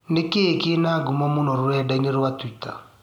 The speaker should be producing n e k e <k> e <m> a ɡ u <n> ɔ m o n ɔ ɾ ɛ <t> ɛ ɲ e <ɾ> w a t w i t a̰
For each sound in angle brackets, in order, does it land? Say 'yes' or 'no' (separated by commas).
yes, no, no, no, yes